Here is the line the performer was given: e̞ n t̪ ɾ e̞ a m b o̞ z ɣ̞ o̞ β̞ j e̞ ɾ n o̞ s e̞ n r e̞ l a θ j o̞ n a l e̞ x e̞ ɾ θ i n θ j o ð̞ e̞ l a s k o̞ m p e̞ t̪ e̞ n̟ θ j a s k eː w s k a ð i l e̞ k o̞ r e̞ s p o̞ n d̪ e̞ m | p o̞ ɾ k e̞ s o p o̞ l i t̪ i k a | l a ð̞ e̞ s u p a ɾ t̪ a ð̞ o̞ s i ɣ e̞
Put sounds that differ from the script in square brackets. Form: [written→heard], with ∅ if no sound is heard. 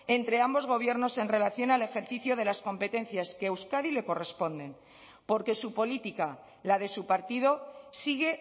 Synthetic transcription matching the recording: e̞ n t̪ ɾ e̞ a m b o̞ z ɣ̞ o̞ β̞ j e̞ ɾ n o̞ s e̞ n r e̞ l a θ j o̞ n a l e̞ x e̞ ɾ θ i [n→∅] θ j o ð̞ e̞ l a s k o̞ m p e̞ t̪ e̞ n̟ θ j a s k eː w s k a ð i l e̞ k o̞ r e̞ s p o̞ n d̪ e̞ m | p o̞ ɾ k e̞ s [o→u] p o̞ l i t̪ i k a | l a ð̞ e̞ s u p a ɾ t̪ [a→i] ð̞ o̞ s i ɣ e̞